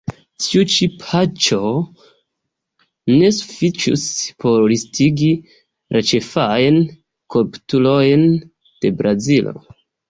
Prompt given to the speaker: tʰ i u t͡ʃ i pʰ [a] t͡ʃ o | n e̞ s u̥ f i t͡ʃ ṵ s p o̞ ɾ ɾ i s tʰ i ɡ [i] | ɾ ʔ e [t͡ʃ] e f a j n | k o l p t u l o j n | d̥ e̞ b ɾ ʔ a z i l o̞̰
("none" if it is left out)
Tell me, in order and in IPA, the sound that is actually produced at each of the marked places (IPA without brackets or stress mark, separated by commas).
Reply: a, i, t͡ʃ